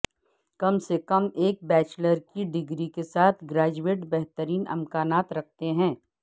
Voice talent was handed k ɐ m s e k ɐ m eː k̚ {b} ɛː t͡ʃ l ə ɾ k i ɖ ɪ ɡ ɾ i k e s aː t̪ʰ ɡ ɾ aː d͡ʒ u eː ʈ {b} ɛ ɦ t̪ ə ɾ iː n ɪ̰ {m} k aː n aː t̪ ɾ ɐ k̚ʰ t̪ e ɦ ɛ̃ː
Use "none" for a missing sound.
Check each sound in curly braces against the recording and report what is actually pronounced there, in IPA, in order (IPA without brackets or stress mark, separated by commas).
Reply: b, b, m